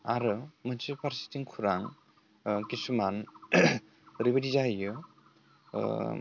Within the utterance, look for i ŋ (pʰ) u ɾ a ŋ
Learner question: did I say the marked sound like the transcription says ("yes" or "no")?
no